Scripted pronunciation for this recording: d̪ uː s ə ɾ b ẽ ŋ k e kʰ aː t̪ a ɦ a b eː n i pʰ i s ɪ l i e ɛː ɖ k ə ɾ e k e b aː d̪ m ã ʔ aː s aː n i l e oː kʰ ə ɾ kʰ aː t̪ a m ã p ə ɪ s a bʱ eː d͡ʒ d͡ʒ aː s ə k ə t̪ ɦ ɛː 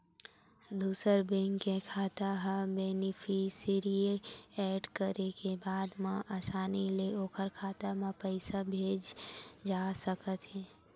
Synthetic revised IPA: d̪ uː s ə ɾ b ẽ ŋ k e kʰ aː t̪ a ɦ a b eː n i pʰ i s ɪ ɾ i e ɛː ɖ k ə ɾ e k e b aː d̪ m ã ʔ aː s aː n i l e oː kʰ ə ɾ kʰ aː t̪ a m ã p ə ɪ s a bʱ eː d͡ʒ d͡ʒ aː s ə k ə t̪ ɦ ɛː